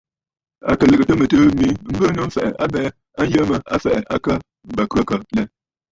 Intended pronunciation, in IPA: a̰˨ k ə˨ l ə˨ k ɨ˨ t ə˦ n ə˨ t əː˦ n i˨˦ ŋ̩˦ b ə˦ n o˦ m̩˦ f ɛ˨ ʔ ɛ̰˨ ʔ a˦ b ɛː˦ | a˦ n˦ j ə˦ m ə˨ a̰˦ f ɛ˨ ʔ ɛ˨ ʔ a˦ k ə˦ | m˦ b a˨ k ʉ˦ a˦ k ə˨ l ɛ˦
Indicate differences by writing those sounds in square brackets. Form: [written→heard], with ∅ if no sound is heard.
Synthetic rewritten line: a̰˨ k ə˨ l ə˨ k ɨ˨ t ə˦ [n→m] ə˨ t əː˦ [n→m] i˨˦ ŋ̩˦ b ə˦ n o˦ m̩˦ f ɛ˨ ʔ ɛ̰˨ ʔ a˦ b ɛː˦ | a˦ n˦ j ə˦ m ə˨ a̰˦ f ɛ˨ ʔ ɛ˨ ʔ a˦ k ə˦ | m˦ b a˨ k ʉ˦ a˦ k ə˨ l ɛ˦